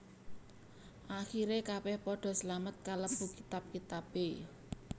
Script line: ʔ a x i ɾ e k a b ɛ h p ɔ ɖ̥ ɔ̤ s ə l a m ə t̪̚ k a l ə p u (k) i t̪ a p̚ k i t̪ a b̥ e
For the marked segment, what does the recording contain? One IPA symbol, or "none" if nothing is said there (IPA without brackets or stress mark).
k